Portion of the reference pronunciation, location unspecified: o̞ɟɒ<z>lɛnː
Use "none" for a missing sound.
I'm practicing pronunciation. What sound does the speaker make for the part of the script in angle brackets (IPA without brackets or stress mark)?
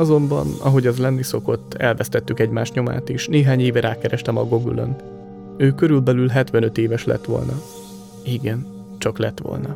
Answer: z